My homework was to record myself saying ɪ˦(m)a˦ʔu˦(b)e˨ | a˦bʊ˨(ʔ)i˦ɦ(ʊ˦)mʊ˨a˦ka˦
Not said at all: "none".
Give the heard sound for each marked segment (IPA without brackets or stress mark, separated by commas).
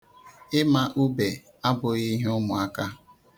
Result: m, b, none, ʊ˦